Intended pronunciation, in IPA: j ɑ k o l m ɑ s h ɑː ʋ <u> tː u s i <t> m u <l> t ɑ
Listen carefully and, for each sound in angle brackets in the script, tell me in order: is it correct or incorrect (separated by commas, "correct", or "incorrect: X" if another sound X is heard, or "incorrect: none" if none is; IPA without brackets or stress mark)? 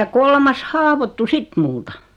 incorrect: o, correct, correct